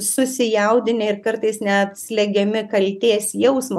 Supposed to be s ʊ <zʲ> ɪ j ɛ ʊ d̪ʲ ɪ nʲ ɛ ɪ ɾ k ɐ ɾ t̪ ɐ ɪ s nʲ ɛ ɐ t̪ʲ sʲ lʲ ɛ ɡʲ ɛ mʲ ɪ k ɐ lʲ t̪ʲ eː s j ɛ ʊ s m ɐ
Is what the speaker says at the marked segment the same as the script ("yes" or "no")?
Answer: no